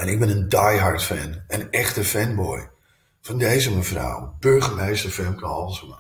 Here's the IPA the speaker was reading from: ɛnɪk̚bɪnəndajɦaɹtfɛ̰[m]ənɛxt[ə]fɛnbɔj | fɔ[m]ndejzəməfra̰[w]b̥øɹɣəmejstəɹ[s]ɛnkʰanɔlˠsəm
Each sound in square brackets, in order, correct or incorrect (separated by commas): incorrect, correct, incorrect, correct, incorrect